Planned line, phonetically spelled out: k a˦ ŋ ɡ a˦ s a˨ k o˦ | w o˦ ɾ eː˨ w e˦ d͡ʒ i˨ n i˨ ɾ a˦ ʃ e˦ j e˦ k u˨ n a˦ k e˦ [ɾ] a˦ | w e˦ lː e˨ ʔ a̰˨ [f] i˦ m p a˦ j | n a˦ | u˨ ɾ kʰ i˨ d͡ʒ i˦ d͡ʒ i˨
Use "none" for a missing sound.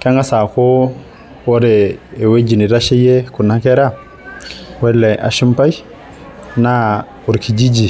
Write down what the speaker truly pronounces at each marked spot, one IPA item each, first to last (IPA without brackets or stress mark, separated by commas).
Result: ɾ, ʃ